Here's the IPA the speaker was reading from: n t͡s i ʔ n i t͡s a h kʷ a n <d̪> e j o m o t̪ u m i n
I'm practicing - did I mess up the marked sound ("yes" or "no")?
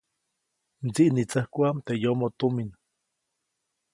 yes